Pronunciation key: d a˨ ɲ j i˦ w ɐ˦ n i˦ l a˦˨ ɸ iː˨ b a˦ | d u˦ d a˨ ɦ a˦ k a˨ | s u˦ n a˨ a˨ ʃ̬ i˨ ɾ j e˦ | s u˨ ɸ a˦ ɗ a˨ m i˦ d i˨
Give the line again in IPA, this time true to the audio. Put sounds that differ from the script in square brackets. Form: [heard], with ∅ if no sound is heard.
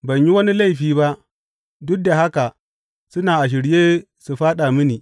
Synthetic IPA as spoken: [b] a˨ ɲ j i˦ w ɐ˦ n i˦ l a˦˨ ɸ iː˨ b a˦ | d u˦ d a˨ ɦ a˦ k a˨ | s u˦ n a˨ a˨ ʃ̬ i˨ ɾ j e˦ | s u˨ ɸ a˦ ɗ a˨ m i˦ [n] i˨